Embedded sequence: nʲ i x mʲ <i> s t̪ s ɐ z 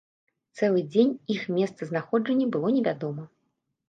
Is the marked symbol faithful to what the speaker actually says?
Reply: no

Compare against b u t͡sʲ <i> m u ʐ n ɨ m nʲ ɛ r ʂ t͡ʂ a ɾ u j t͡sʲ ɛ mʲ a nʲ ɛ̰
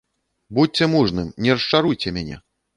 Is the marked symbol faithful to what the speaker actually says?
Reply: no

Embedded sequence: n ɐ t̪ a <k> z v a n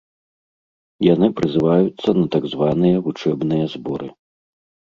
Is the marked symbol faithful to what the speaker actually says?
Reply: no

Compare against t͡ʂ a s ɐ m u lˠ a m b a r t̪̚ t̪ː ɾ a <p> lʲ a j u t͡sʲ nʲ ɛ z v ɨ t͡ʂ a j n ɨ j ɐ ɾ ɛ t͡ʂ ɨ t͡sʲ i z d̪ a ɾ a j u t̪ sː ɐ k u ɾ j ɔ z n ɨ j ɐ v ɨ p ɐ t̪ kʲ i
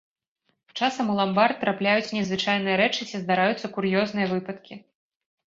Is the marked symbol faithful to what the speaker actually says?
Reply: yes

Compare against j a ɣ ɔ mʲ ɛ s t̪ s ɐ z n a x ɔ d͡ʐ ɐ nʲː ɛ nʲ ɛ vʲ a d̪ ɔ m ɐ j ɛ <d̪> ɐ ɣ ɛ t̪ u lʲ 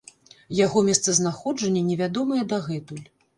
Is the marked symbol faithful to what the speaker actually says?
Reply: yes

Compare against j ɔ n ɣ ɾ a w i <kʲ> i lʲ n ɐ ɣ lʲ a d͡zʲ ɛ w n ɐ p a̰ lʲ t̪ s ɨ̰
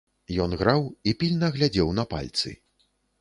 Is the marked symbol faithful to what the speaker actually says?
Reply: no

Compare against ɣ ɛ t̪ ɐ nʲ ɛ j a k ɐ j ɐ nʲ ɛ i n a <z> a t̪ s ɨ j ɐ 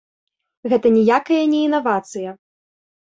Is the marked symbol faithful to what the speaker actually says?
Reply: no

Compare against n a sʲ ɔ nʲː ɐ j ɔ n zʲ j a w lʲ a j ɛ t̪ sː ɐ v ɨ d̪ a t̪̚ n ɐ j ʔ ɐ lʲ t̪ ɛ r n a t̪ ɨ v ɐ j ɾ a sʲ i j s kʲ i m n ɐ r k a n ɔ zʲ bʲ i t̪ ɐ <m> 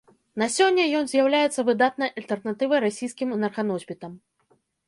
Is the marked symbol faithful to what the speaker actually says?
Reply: yes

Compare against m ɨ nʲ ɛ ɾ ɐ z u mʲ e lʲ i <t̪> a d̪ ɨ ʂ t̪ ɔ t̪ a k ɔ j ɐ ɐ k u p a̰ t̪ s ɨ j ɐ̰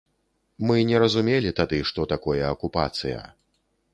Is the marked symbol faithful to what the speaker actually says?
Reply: yes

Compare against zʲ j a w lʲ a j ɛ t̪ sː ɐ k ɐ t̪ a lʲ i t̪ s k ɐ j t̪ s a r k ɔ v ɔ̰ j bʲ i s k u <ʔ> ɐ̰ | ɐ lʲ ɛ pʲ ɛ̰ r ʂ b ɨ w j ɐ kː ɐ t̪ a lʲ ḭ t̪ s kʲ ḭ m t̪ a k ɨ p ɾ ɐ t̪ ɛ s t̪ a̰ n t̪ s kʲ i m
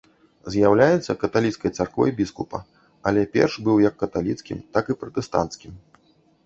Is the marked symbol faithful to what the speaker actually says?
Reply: no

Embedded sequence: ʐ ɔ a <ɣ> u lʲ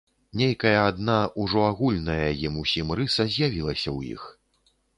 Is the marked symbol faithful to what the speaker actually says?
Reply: yes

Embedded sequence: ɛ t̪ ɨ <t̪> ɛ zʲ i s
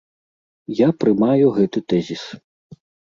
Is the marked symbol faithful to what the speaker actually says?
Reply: yes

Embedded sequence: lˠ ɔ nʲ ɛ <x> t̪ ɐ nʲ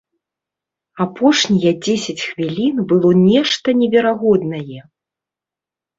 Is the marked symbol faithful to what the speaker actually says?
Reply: no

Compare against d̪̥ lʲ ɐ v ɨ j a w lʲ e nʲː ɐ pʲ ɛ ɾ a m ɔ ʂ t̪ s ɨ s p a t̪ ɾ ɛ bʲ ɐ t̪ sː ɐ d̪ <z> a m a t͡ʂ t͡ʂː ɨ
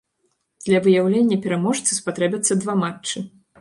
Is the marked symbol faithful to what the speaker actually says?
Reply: no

